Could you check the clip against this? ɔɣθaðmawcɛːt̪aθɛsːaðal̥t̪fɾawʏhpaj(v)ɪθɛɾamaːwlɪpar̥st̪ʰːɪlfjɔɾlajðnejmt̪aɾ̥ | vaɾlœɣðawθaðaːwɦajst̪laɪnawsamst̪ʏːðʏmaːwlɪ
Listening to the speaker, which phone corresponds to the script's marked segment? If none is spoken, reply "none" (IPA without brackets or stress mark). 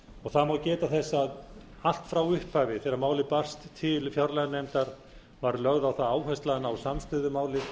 v